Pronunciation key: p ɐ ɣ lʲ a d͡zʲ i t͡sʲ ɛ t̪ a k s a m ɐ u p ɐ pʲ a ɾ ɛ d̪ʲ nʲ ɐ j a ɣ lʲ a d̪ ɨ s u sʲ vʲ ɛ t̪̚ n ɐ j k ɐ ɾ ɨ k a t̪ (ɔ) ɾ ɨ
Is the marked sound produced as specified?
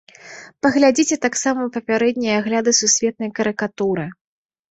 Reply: no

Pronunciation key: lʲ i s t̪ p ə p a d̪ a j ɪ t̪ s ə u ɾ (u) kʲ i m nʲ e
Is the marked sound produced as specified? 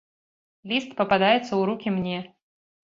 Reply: yes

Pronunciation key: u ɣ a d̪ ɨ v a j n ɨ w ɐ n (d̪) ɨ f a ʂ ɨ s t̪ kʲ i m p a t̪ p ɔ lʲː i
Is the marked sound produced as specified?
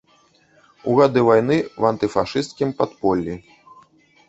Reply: no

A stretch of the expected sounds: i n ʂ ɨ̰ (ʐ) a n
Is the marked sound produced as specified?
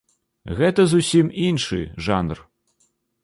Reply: yes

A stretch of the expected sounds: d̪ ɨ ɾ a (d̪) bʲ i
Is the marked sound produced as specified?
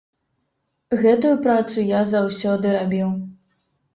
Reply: no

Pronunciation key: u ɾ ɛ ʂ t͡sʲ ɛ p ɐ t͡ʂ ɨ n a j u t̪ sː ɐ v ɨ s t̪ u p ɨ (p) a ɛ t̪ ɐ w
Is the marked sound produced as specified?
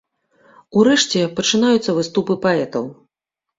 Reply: yes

